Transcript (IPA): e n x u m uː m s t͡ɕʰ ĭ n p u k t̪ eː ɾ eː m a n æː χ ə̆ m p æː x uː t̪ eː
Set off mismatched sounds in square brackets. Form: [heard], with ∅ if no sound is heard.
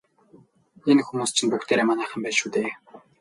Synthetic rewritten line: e n x u m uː [∅] s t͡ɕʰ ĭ n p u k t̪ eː ɾ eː m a n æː χ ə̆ m p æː [ʃ] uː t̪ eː